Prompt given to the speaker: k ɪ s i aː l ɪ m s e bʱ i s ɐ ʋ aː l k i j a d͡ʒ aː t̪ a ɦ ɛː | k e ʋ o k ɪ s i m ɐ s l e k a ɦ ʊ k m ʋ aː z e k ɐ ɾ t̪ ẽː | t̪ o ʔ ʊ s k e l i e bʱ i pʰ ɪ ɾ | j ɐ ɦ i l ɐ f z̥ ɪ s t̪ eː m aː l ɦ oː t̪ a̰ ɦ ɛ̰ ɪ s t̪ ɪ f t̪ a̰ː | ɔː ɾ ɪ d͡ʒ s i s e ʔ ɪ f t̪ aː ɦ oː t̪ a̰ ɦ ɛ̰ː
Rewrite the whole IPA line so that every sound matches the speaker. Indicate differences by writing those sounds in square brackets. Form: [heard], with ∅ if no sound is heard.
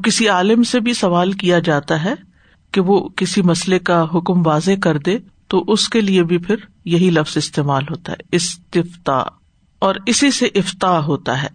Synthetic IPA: k ɪ s i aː l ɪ m s e bʱ i s ɐ ʋ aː l k i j a d͡ʒ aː t̪ a ɦ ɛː | k e ʋ o k ɪ s i m ɐ s l e k a ɦ ʊ k m ʋ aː z e k ɐ ɾ [d̪] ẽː | t̪ o ʔ ʊ s k e l i e bʱ i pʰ ɪ ɾ | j ɐ ɦ i l ɐ f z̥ ɪ s t̪ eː m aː l ɦ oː t̪ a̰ ɦ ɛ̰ ɪ s t̪ ɪ f t̪ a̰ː | ɔː ɾ ɪ [∅] s i s e ʔ ɪ f t̪ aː ɦ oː t̪ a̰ ɦ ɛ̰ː